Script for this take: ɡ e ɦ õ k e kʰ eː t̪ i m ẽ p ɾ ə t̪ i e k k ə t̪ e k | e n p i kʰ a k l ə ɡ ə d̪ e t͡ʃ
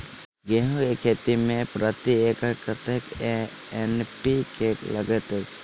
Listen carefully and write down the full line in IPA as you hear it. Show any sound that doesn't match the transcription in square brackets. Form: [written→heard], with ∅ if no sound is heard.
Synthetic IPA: ɡ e ɦ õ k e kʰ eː t̪ i m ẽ p ɾ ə t̪ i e k k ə t̪ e k | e n p i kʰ [a→e] k l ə ɡ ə [d̪→t̪] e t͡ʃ